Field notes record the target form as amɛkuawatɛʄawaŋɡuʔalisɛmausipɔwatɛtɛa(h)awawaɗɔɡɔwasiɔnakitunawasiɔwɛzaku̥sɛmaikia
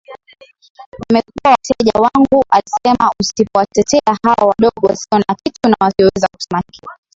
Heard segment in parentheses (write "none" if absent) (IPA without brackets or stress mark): h